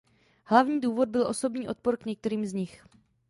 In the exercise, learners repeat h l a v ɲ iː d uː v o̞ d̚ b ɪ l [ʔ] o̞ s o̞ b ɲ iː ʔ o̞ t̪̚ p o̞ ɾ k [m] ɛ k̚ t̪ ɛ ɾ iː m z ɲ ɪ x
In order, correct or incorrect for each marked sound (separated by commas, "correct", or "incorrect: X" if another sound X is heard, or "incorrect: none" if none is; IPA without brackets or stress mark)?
correct, incorrect: ɲ